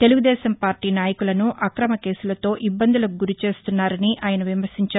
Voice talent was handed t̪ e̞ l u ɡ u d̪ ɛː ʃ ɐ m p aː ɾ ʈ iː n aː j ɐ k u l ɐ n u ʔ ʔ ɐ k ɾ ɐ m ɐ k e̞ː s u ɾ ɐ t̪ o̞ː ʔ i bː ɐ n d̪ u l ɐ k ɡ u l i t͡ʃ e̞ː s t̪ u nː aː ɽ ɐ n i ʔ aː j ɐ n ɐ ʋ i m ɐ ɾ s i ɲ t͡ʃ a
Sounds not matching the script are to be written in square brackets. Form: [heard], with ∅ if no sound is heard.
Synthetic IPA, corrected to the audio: t̪ e̞ l u ɡ u d̪ ɛː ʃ ɐ m p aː ɾ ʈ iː n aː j ɐ k u l ɐ n u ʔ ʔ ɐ k ɾ ɐ m ɐ k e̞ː s u [l] ɐ t̪ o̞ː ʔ i bː ɐ n d̪ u l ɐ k ɡ u [ɾ] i t͡ʃ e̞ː s t̪ u nː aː [ɾ] ɐ n i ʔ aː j ɐ n ɐ ʋ i m ɐ ɾ s i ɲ t͡ʃ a

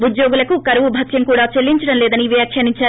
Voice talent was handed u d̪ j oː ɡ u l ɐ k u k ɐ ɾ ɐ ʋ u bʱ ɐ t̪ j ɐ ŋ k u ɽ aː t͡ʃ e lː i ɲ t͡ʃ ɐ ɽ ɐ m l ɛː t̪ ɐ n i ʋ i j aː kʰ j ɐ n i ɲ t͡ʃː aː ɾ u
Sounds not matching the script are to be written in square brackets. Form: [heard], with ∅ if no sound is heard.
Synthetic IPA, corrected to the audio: u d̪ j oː ɡ u l ɐ k u k ɐ ɾ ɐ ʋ u bʱ ɐ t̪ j ɐ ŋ k [uː] ɽ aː t͡ʃ e lː i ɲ t͡ʃ ɐ ɽ ɐ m l ɛː [d̪] ɐ n i ʋ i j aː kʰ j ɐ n i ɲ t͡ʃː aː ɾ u

